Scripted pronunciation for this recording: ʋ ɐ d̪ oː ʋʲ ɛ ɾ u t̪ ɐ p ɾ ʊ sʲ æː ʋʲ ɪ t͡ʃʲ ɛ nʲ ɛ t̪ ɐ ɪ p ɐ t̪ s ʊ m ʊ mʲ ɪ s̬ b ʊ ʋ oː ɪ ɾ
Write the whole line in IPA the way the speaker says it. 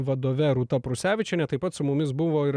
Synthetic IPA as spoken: ʋ ɐ d̪ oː ʋʲ ɛ ɾ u t̪ ɐ p ɾ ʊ sʲ æː ʋʲ ɪ t͡ʃʲ ɛ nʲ ɛ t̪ ɐ ɪ p ɐ t̪ s ʊ m ʊ mʲ ɪ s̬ b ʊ ʋ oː ɪ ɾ